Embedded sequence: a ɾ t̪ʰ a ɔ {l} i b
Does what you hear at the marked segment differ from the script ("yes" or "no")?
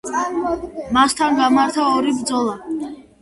yes